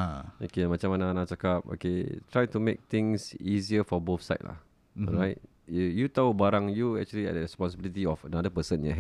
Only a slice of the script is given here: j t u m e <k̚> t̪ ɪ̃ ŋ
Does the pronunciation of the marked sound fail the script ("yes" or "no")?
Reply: no